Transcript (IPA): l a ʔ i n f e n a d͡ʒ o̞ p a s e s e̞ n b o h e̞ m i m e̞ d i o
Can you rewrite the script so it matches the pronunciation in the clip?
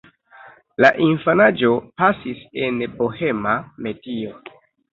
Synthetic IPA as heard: l a ʔ i n f a n a d͡ʒ o̞ p a s i s e̞ n b o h e̞ m a m e̞ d i o